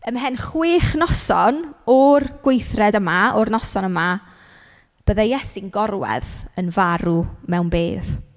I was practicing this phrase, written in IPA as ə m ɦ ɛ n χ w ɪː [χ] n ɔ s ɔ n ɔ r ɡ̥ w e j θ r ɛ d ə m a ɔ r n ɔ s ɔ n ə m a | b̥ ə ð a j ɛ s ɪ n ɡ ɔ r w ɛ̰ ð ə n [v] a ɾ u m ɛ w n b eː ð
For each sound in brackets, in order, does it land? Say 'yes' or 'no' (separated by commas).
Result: yes, yes